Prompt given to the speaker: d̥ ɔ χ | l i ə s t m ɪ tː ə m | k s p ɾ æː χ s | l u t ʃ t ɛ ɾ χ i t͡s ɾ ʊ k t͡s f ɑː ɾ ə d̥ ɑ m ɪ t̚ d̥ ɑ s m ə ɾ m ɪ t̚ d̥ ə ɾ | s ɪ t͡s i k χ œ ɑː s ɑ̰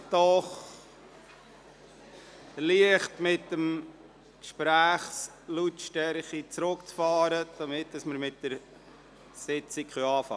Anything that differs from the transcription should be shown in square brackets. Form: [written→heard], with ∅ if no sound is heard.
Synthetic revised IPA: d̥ ɔ χ | l i ə [s→χ] t m ɪ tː ə m | k [s→ʃ] p ɾ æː χ s | l u t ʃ t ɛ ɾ χ i t͡s ɾ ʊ k t͡s f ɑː ɾ ə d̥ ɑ m ɪ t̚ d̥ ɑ s m ə ɾ m ɪ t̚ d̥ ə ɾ | s ɪ t͡s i k χ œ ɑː [s→f] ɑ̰